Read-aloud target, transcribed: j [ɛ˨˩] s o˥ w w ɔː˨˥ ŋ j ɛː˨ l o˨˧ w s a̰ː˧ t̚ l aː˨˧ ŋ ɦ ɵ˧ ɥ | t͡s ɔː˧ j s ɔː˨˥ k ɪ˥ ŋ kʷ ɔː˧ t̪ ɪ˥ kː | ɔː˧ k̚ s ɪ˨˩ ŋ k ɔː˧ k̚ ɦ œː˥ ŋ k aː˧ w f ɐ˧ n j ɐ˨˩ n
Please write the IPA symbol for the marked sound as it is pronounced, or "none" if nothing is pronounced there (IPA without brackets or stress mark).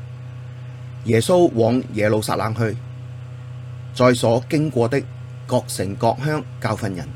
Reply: ɛː˨˩